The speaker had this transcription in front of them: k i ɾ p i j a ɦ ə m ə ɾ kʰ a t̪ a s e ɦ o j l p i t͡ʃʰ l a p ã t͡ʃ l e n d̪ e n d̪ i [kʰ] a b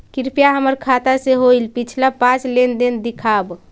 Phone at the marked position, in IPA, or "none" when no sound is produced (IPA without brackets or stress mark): kʰ